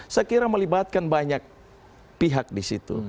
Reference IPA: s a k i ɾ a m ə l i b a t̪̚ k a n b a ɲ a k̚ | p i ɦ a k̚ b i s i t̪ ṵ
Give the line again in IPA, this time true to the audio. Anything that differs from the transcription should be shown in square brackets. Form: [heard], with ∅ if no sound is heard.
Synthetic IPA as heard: s [ə] k i ɾ a m ə l i b a t̪̚ k a n b a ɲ a k̚ | p i ɦ a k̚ [d] i s i t̪ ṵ